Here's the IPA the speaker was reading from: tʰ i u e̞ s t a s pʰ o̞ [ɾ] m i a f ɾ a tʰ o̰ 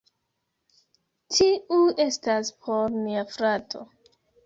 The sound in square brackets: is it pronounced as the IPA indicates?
yes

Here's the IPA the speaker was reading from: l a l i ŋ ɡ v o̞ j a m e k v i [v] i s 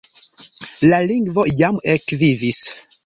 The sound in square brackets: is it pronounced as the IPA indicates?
yes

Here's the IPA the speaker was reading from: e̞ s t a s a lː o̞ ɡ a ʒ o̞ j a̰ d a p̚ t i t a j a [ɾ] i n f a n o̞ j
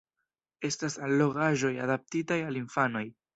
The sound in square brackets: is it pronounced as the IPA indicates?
no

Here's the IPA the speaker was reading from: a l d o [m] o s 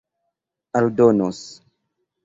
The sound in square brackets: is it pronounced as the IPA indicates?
no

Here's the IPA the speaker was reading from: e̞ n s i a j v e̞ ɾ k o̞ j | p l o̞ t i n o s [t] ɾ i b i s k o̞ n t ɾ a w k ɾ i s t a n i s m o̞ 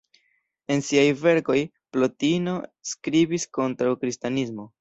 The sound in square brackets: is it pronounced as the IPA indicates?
no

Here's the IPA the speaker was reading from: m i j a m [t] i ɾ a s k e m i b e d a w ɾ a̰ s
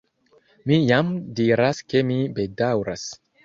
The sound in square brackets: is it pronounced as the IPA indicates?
no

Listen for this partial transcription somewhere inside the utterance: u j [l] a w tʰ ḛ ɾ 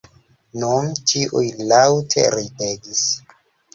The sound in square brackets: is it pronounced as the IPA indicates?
yes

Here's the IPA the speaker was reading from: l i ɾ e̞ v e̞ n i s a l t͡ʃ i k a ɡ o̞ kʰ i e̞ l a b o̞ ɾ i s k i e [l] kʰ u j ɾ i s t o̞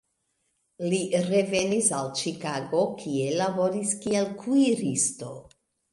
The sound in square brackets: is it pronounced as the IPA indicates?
yes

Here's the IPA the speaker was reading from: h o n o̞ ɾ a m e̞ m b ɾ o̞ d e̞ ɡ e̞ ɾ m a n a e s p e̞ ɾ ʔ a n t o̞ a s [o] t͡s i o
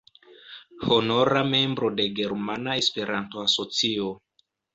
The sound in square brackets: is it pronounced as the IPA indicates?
yes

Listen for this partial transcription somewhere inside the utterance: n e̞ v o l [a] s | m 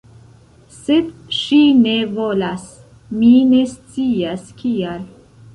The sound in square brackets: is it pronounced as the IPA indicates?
yes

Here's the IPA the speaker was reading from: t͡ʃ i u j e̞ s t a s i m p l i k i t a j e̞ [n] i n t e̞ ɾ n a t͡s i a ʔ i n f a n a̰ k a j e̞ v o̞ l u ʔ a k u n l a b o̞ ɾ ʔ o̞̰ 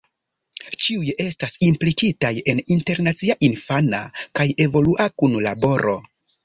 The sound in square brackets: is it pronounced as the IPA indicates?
yes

